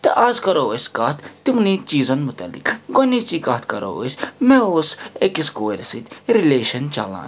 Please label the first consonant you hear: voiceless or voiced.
voiceless